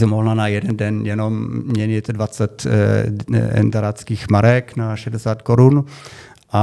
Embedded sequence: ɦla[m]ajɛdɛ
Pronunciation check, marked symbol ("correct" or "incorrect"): incorrect